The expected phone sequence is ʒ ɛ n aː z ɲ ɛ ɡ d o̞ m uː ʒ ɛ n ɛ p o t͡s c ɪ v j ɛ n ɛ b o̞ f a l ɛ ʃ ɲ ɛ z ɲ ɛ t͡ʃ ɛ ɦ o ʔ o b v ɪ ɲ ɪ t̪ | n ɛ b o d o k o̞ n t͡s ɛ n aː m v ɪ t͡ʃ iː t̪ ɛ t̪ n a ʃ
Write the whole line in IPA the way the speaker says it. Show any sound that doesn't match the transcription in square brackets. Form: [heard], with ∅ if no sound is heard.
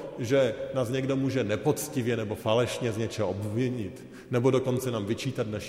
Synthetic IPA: ʒ ɛ n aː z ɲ ɛ ɡ d o̞ m uː ʒ ɛ n ɛ p o t͡s c ɪ v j ɛ n ɛ b o̞ f a l ɛ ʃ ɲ ɛ z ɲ ɛ t͡ʃ ɛ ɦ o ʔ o b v ɪ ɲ ɪ t̪ | n ɛ b o d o k o̞ n t͡s ɛ n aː m v ɪ t͡ʃ iː t̪ [a] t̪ n a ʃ